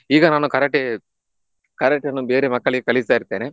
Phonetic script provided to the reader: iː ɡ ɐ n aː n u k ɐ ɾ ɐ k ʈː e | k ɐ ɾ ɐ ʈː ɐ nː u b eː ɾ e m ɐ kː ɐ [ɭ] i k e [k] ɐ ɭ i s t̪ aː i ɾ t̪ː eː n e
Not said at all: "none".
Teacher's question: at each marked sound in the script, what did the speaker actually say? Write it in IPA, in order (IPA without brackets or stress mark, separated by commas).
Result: ɭ, k